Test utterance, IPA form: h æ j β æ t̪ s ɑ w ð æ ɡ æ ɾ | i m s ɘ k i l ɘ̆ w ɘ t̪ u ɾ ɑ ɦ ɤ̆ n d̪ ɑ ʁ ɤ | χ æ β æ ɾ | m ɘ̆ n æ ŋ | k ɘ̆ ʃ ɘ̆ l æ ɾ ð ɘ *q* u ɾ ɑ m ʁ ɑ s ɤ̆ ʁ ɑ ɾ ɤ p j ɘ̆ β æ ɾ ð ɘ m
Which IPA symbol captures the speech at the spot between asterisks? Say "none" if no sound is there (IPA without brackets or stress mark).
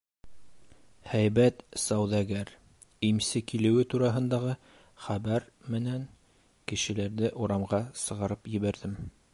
ʔ